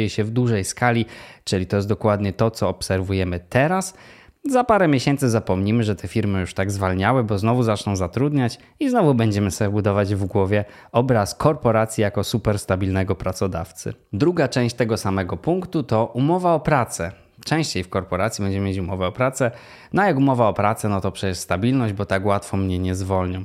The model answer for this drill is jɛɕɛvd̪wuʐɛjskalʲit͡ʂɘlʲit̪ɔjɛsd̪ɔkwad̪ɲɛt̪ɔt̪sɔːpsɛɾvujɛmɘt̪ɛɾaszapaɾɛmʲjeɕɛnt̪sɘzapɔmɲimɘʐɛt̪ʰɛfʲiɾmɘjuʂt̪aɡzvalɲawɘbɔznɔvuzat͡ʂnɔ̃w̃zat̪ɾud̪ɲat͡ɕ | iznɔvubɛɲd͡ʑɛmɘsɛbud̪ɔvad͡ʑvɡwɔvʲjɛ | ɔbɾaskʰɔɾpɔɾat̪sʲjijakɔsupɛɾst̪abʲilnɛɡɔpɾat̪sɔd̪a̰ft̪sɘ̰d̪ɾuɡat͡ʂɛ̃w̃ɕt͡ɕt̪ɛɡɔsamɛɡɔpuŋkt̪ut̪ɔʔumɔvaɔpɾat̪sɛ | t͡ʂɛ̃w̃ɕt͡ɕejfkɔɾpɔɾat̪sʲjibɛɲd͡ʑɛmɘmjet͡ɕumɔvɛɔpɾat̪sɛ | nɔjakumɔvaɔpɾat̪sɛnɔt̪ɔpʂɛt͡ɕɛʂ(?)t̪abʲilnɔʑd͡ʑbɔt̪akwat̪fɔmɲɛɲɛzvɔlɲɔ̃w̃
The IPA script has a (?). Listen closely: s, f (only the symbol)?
s